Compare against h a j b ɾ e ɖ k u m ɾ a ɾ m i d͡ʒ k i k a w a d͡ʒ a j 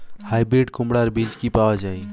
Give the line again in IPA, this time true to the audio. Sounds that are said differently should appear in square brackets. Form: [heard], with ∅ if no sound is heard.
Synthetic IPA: h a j b ɾ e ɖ k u m [ɽ] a ɾ [b] i d͡ʒ k i [p] a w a d͡ʒ a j